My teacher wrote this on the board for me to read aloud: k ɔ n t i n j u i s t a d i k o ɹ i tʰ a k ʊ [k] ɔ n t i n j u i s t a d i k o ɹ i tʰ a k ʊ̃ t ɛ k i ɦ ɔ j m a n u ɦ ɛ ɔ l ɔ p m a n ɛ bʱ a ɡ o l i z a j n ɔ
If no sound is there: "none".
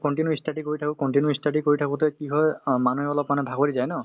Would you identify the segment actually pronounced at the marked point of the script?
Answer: k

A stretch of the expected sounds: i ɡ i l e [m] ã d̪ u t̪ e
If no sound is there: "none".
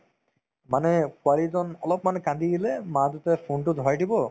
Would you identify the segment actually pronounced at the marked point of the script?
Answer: m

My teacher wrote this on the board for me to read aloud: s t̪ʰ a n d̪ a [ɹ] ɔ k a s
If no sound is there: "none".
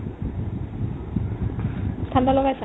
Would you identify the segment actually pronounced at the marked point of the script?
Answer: l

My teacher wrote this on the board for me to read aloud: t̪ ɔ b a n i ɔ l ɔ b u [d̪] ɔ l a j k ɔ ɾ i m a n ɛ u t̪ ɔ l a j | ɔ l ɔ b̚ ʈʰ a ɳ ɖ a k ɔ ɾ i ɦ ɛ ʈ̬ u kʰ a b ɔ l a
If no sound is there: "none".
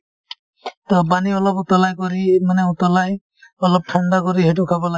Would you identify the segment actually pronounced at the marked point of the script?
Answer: t̪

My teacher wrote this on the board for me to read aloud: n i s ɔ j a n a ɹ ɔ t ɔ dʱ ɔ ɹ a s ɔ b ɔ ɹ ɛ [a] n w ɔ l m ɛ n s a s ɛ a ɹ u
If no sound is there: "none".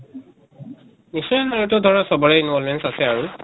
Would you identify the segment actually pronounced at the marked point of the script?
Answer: i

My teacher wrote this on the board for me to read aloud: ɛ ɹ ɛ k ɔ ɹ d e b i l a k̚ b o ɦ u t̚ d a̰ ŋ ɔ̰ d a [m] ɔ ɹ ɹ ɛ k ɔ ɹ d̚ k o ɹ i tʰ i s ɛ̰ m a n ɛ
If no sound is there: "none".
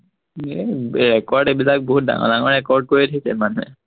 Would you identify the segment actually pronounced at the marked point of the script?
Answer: ŋ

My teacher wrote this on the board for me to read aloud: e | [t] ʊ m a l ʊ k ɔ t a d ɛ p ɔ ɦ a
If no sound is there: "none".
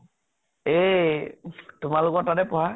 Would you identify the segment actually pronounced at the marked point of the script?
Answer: t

